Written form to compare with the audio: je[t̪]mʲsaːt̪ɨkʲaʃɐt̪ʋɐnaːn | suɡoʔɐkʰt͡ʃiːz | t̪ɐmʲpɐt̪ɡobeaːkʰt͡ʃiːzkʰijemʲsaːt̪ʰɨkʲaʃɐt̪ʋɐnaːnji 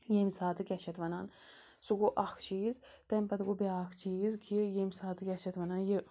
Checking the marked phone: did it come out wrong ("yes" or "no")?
yes